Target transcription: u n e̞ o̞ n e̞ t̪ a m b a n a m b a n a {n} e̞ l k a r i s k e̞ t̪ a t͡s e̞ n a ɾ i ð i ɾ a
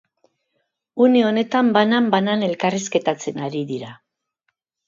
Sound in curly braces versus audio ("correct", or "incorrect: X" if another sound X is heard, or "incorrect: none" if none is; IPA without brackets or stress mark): correct